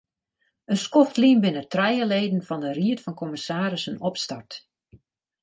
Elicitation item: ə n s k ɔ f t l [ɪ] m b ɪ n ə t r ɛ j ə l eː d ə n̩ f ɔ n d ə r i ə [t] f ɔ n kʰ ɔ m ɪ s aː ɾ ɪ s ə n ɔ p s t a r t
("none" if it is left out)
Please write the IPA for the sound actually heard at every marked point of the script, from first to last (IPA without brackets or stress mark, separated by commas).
i, t